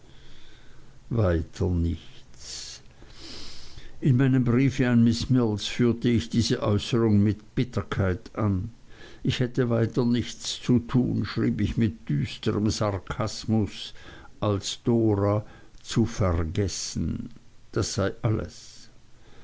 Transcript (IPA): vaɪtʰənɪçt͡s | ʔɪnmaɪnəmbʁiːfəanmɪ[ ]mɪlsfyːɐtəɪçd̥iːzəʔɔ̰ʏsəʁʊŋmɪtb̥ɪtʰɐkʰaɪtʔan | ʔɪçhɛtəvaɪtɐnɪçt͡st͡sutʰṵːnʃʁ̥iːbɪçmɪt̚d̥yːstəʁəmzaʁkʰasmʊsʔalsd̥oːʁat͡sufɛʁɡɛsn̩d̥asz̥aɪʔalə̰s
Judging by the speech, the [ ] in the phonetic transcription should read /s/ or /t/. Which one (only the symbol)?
s